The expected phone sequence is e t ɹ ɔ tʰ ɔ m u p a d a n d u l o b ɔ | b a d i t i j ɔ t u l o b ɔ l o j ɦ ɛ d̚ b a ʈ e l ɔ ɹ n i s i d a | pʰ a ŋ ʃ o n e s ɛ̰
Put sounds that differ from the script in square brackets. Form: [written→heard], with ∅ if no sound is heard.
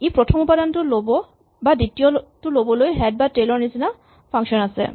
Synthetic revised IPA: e [t→p] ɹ ɔ tʰ ɔ m u p a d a n [d→t] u l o b ɔ | b a d i t i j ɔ t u l o b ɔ l o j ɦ ɛ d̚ b a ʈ e l ɔ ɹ n i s i [d→n] a | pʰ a ŋ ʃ [o→ɔ] n [e→a] s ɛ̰